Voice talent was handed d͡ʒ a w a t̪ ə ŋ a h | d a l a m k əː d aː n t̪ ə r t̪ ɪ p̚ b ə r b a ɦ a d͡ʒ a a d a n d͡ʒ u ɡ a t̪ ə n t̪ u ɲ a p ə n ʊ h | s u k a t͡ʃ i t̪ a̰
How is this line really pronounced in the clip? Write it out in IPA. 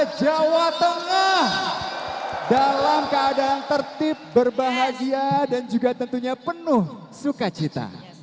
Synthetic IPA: d͡ʒ a w a t̪ ə ŋ a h | d a l a m k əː d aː n t̪ ə r t̪ ɪ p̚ b ə r b a ɦ a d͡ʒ i a d a n d͡ʒ u ɡ a t̪ ə n t̪ u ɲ a p ə n ʊ h | s u k a t͡ʃ i t̪ a̰